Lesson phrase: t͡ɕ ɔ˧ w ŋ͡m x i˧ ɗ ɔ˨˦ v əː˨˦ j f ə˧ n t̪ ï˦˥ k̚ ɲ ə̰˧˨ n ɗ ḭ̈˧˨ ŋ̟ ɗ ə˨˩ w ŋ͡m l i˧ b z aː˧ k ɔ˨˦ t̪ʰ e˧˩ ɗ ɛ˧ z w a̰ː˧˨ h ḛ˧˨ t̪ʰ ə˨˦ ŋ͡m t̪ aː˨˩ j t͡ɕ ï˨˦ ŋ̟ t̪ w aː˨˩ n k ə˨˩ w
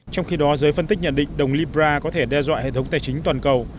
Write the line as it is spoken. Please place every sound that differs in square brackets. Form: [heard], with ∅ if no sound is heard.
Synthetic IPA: t͡ɕ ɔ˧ w ŋ͡m x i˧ ɗ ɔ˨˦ [z] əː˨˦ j f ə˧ n t̪ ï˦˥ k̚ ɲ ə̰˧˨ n ɗ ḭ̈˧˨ ŋ̟ ɗ ə˨˩ w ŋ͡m l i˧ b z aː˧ k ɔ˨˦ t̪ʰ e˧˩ ɗ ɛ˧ z w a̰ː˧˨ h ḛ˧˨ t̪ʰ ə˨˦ ŋ͡m t̪ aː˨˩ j t͡ɕ ï˨˦ ŋ̟ t̪ w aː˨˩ n k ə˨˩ w